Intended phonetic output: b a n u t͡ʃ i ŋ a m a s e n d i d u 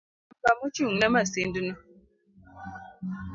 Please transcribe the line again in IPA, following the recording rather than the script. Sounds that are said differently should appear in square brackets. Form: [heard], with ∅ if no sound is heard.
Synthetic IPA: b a [m] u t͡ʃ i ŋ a m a s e n d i [n] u